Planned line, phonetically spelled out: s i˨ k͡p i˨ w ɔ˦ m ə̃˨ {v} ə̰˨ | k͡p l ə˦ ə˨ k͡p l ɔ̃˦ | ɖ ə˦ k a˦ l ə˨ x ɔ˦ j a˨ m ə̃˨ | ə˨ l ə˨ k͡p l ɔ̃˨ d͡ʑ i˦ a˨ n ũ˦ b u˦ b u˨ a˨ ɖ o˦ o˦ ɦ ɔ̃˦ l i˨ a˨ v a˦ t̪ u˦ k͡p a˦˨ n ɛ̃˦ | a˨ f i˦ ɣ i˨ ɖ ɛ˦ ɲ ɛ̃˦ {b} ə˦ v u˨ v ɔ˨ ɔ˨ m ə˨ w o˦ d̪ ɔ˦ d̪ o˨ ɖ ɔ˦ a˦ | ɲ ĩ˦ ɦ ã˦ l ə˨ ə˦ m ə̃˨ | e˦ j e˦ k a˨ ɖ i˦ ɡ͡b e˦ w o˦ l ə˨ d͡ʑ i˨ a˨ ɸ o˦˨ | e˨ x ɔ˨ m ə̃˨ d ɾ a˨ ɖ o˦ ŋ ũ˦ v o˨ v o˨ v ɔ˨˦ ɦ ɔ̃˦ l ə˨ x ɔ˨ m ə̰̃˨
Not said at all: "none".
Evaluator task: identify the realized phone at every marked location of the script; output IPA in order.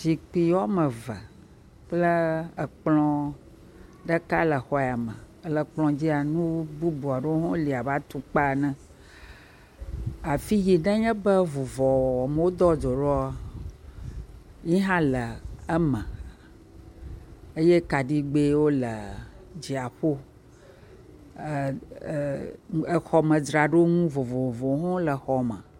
v, b

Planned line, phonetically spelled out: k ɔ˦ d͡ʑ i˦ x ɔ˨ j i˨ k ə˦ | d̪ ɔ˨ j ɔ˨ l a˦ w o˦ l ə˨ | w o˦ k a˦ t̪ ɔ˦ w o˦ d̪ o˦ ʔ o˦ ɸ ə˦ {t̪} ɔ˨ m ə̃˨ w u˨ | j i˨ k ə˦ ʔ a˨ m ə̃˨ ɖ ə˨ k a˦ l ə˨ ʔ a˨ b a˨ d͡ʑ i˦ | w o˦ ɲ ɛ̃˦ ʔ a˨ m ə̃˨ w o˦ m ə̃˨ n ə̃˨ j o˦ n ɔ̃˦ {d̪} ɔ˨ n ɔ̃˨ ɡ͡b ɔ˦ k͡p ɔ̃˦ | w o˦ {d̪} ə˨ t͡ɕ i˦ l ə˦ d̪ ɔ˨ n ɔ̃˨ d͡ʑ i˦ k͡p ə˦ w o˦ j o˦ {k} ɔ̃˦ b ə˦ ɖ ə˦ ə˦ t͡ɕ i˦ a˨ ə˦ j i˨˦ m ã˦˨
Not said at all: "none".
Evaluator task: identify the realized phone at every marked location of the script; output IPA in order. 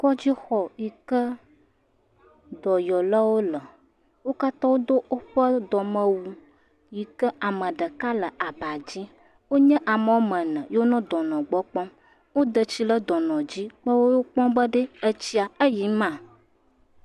d̪, d̪, d̪, k͡p

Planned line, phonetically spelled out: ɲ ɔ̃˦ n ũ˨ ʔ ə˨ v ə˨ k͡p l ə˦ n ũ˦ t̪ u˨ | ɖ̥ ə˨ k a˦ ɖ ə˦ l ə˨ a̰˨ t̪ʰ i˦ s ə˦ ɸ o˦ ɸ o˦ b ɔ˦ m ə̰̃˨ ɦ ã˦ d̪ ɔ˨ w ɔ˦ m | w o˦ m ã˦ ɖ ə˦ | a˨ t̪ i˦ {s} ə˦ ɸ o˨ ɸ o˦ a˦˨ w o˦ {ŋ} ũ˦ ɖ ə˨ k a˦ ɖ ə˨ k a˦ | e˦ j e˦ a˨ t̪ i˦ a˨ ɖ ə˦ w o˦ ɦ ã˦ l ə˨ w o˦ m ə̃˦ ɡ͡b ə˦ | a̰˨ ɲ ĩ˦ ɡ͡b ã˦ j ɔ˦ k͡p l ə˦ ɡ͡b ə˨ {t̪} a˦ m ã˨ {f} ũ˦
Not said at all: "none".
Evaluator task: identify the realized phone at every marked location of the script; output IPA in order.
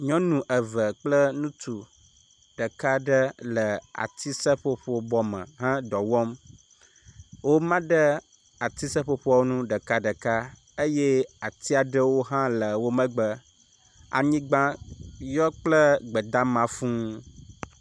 s, n, d̪, f

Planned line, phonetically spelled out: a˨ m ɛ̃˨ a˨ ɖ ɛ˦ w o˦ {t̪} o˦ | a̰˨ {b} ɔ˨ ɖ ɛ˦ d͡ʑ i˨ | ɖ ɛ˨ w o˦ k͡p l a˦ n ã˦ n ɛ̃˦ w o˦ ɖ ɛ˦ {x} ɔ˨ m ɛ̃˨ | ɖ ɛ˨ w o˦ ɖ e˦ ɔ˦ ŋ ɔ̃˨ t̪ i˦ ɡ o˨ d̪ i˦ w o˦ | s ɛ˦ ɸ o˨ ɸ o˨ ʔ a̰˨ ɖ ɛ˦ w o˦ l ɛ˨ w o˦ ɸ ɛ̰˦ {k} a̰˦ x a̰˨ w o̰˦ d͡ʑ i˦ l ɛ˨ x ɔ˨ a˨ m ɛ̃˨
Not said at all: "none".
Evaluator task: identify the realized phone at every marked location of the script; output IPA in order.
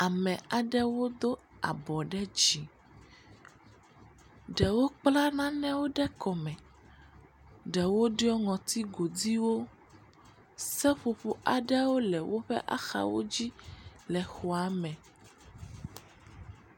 d̪, b, k, ʔ

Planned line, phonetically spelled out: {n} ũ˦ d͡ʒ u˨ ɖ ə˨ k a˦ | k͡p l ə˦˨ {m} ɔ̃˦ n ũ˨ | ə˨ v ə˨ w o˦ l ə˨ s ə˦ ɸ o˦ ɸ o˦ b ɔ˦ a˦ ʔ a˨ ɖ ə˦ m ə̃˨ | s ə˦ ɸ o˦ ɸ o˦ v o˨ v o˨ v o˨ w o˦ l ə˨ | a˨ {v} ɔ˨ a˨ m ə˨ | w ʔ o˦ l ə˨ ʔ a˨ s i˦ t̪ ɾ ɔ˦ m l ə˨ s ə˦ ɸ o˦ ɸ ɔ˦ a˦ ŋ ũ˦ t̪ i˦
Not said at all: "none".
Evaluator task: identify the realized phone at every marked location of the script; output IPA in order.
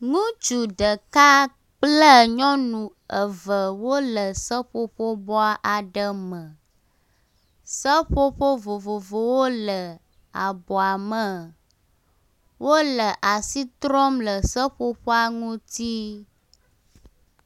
ŋ, ɲ, b

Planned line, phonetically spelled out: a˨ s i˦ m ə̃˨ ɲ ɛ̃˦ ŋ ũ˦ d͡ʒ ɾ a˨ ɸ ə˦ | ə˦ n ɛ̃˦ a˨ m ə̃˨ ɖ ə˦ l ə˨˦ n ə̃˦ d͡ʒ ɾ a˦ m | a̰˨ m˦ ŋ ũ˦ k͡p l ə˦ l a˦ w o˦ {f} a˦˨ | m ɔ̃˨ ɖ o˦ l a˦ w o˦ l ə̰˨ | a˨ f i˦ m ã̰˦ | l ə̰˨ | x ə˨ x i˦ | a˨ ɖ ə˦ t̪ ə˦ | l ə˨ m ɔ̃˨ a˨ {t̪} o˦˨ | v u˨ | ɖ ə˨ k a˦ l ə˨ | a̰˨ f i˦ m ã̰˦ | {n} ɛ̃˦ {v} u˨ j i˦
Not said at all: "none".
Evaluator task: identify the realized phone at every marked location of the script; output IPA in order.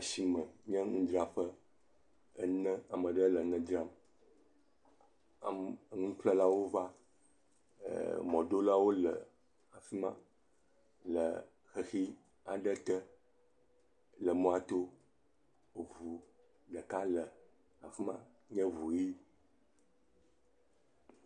v, t̪, ɲ, v

